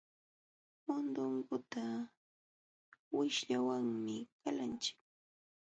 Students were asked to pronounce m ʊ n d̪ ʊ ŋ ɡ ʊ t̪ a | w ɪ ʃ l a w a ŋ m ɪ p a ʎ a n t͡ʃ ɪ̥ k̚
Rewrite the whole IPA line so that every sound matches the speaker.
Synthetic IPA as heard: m ʊ n d̪ ʊ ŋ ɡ ʊ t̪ a | w ɪ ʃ ʎ a w a ŋ m ɪ k a l a n t͡ʃ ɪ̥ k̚